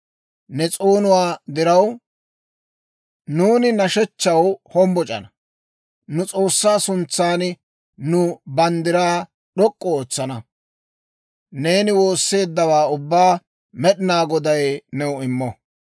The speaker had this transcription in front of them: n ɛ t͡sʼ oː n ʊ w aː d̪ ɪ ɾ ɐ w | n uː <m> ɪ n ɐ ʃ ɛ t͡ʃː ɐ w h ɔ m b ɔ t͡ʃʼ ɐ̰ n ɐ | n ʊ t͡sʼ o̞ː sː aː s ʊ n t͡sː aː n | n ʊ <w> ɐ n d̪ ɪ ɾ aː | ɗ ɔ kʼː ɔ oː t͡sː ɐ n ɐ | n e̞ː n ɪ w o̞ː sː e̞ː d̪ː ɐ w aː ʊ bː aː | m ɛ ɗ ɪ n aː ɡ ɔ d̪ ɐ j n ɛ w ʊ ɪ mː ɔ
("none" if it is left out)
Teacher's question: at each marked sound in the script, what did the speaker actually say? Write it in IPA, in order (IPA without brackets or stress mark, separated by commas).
n, b